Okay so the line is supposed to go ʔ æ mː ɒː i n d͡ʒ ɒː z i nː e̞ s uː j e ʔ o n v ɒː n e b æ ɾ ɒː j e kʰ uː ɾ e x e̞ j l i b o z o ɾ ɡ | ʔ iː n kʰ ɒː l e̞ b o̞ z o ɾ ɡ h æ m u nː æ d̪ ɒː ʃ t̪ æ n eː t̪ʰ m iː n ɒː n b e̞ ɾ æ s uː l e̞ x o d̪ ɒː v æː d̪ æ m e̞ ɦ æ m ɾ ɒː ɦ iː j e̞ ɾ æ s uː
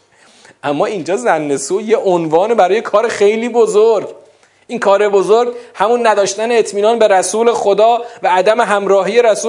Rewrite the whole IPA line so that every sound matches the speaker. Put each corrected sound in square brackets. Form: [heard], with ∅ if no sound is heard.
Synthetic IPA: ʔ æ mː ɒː i n d͡ʒ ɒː z [æ] nː e̞ s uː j e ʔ o n v ɒː n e b æ ɾ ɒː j e kʰ [ɒː] ɾ e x e̞ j l [iː] b o z o ɾ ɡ | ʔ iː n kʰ ɒː [ɾ] e̞ b o̞ z o ɾ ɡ h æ m u nː æ d̪ ɒː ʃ t̪ æ n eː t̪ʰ m iː n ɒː n b e̞ ɾ æ s uː l e̞ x o d̪ ɒː v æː d̪ æ m e̞ ɦ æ m ɾ ɒː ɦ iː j e̞ ɾ æ s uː